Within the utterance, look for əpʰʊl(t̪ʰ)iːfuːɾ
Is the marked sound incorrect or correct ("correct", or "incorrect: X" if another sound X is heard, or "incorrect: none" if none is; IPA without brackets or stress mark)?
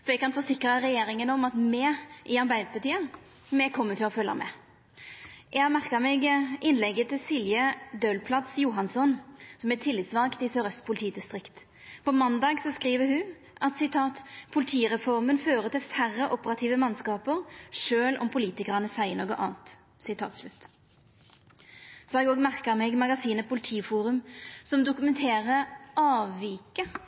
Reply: correct